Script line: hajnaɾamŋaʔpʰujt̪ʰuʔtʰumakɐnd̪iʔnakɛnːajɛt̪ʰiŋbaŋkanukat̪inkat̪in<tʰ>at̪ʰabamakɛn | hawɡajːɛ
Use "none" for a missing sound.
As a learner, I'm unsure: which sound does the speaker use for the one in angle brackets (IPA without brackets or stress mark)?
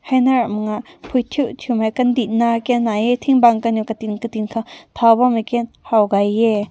kʰ